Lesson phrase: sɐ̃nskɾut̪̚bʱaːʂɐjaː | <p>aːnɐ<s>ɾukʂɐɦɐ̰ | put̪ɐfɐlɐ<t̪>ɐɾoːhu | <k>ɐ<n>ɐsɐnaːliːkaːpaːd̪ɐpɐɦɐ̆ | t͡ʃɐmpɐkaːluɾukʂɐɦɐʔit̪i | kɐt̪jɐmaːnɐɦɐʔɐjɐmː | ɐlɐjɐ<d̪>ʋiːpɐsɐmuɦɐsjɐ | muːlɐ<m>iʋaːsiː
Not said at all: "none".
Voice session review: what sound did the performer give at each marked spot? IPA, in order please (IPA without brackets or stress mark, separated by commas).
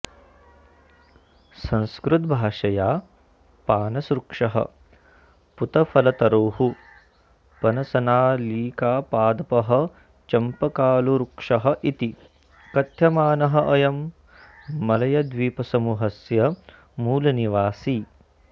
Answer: p, s, t̪, p, n, d̪, n